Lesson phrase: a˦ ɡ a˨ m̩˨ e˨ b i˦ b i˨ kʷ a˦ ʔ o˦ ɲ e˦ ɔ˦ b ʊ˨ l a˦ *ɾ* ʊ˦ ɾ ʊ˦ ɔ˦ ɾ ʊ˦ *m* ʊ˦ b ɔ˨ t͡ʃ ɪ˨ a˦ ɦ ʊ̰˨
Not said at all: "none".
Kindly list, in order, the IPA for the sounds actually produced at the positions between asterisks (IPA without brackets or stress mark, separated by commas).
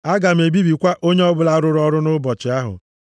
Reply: ɾ, n